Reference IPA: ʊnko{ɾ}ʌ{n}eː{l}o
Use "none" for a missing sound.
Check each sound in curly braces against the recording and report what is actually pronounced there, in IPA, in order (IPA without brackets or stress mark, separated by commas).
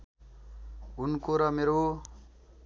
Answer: ɾ, m, ɾ